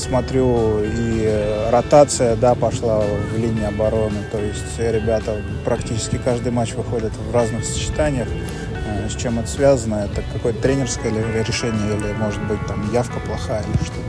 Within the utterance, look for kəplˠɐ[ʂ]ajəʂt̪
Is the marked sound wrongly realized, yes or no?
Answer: yes